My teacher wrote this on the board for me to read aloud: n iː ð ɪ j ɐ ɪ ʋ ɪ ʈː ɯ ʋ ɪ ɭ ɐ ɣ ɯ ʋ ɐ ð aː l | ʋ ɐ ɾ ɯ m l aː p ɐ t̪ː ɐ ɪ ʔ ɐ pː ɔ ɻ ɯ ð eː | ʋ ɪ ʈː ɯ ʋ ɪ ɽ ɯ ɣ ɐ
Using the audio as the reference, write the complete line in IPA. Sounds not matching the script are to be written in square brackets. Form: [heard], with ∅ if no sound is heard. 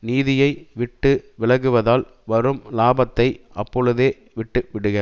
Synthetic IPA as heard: n iː ð ɪ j ɐ ɪ ʋ ɪ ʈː ɯ ʋ ɪ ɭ ɐ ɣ ɯ ʋ ɐ ð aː l | ʋ ɐ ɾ ɯ m l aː [b] ɐ t̪ː ɐ ɪ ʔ ɐ pː ɔ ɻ ɯ ð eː | ʋ ɪ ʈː ɯ ʋ ɪ ɽ ɯ ɣ ɐ

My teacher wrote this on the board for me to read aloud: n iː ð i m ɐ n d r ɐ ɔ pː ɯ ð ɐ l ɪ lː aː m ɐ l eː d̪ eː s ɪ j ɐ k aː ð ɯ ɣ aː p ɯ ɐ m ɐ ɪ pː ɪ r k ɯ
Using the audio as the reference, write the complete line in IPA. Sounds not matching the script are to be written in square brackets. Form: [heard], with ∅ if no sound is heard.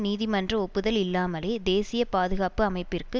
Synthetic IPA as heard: n iː ð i m ɐ n d r ɐ ɔ pː ɯ ð ɐ l ɪ lː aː m ɐ l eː d̪ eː s ɪ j ɐ [p] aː ð ɯ ɣ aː p ɯ ɐ m ɐ ɪ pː ɪ r k ɯ

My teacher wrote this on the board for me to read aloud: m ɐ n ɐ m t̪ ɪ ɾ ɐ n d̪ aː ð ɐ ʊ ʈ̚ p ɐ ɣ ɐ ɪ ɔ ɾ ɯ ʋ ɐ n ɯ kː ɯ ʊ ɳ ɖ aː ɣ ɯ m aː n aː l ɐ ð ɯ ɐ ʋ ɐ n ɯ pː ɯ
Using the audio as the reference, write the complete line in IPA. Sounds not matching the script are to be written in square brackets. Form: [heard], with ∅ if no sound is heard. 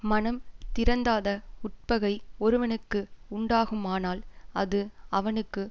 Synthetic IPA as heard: m ɐ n ɐ m t̪ ɪ ɾ ɐ n d̪ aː ð ɐ ʊ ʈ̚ p ɐ ɣ ɐ ɪ ɔ ɾ ɯ ʋ ɐ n ɯ kː ɯ ʊ ɳ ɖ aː ɣ ɯ m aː n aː l ɐ ð ɯ ɐ ʋ ɐ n ɯ [kː] ɯ

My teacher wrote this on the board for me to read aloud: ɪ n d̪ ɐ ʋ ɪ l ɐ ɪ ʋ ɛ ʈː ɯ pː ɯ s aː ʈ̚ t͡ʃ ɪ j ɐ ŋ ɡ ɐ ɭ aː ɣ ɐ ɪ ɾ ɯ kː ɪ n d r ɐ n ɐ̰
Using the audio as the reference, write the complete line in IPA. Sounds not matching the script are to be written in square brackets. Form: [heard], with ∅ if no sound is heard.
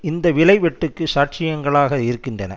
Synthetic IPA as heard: ɪ n d̪ ɐ ʋ ɪ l ɐ ɪ ʋ ɛ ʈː ɯ [kː] ɯ s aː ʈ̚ t͡ʃ ɪ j ɐ ŋ ɡ ɐ ɭ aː ɣ ɐ ɪ ɾ ɯ kː ɪ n d r ɐ n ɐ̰

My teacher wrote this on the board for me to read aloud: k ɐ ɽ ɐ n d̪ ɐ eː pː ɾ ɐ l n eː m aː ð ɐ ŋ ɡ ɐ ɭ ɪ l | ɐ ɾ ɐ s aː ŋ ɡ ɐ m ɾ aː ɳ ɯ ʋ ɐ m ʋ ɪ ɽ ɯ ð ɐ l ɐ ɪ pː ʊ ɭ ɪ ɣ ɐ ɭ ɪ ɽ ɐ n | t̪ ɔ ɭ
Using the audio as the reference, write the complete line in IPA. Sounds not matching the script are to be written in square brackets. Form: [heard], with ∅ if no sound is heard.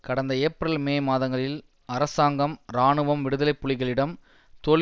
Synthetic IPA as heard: k ɐ ɽ ɐ n d̪ ɐ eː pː ɾ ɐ l [m] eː m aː ð ɐ ŋ ɡ ɐ ɭ ɪ l | ɐ ɾ ɐ s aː ŋ ɡ ɐ m ɾ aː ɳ ɯ ʋ ɐ m ʋ ɪ ɽ ɯ ð ɐ l ɐ ɪ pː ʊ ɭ ɪ ɣ ɐ ɭ ɪ ɽ ɐ [m] | t̪ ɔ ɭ

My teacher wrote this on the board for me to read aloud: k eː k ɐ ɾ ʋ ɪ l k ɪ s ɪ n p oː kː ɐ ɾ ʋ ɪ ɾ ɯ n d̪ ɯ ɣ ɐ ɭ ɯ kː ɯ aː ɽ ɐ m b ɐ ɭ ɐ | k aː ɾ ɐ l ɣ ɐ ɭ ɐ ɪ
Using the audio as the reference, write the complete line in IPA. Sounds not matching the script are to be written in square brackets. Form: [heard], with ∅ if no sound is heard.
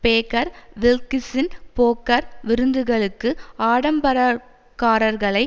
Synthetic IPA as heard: [p] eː k ɐ ɾ ʋ ɪ l k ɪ s ɪ n p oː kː ɐ ɾ ʋ ɪ ɾ ɯ n d̪ ɯ ɣ ɐ ɭ ɯ kː ɯ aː ɽ ɐ m b ɐ [ɾ] ɐ | k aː ɾ ɐ [ɾ] ɣ ɐ ɭ ɐ ɪ

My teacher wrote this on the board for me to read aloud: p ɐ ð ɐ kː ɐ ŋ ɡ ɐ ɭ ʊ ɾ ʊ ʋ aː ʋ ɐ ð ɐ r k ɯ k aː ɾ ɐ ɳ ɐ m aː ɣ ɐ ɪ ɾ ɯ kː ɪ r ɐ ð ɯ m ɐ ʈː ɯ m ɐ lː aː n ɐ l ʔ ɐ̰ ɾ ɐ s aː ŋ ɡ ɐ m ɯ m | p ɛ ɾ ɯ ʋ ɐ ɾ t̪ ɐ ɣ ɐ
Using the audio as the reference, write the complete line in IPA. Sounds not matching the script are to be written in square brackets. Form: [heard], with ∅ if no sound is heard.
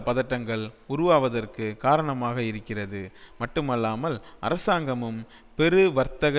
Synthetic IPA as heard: p ɐ ð ɐ [ʈː] ɐ ŋ ɡ ɐ ɭ ʊ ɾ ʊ ʋ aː ʋ ɐ ð ɐ r k ɯ k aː ɾ ɐ ɳ ɐ m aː ɣ ɐ ɪ ɾ ɯ kː ɪ r ɐ ð ɯ m ɐ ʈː ɯ m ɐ lː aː [m] ɐ l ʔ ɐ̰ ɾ ɐ s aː ŋ ɡ ɐ m ɯ m | p ɛ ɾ ɯ ʋ ɐ ɾ t̪ ɐ ɣ ɐ

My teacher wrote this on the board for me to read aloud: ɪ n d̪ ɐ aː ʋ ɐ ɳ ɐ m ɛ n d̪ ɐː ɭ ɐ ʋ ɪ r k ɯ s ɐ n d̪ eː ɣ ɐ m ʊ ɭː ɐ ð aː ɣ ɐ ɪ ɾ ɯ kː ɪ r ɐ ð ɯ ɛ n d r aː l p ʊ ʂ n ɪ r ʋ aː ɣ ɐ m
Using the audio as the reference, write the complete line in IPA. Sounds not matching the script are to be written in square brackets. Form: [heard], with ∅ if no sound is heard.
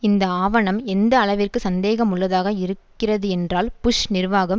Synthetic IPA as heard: ɪ n d̪ ɐ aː ʋ ɐ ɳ ɐ m ɛ n d̪ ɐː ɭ ɐ ʋ ɪ r k ɯ s ɐ n d̪ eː ɣ ɐ m ʊ ɭː ɐ ð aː ɣ ɐ ɪ ɾ ɯ kː ɪ r ɐ ð ɯ ɛ n d r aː l p ʊ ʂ n ɪ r ʋ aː ɣ ɐ m

